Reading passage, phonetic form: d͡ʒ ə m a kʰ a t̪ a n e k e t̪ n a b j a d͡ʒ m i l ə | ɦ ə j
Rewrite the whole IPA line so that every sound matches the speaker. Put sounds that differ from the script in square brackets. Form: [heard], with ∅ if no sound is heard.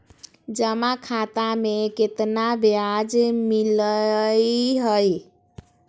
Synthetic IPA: d͡ʒ ə m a kʰ a t̪ a [m] e k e t̪ n a b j a d͡ʒ m i l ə | ɦ ə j